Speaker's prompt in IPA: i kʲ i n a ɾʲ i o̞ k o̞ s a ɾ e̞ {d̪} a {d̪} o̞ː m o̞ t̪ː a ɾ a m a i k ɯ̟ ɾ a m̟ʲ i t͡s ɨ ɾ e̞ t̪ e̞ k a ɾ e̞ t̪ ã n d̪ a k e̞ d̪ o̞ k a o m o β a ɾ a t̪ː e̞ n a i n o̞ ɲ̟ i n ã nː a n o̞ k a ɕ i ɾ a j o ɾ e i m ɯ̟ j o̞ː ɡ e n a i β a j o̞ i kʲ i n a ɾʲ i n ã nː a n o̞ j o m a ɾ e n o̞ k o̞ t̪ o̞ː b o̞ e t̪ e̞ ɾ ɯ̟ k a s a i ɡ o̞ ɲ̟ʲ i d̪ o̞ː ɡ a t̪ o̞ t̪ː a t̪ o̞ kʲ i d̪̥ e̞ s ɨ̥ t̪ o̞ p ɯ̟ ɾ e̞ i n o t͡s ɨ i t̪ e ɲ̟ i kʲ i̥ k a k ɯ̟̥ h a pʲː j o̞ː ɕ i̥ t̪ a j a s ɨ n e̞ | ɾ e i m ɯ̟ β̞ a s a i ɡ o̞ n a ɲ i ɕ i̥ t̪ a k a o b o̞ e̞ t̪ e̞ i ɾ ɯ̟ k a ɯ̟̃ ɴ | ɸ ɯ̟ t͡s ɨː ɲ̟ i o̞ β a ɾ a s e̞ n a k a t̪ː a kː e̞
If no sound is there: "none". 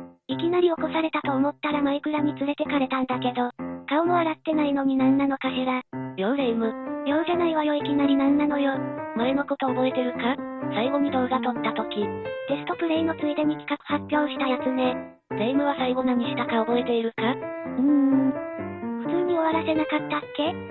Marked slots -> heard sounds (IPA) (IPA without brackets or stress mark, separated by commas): t̪, t̪